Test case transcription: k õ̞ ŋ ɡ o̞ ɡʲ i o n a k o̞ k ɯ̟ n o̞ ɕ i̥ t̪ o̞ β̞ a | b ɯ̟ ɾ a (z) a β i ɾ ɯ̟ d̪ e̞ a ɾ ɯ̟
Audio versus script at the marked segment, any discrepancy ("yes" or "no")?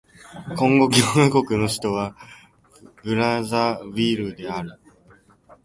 no